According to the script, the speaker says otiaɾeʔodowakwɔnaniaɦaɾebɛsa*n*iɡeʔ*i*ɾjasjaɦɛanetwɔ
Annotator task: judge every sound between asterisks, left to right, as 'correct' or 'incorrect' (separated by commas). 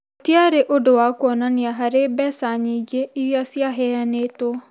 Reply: incorrect, correct